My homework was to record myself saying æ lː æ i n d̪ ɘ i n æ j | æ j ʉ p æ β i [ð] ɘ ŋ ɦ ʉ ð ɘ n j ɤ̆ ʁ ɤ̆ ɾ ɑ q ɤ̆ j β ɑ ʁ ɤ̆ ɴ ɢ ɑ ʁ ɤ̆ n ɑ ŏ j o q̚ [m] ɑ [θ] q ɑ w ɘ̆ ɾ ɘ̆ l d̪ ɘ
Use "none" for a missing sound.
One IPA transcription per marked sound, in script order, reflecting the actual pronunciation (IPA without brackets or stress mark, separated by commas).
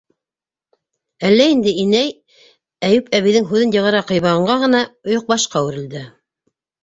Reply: ð, b, ʃ